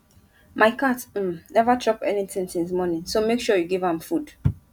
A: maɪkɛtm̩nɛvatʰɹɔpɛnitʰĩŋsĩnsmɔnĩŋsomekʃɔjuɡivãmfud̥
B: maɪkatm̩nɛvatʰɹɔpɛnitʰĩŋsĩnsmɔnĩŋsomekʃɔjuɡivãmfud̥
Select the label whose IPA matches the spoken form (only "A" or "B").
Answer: B